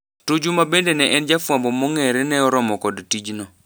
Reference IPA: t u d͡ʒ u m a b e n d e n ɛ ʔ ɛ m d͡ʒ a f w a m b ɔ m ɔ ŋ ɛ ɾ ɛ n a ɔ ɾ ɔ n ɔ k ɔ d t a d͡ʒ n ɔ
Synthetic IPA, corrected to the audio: t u d͡ʒ u m a b e n d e n ɛ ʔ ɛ n d͡ʒ a f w a m b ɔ m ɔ ŋ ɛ ɾ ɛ n ɛ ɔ ɾ ɔ m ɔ k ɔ d t i d͡ʒ n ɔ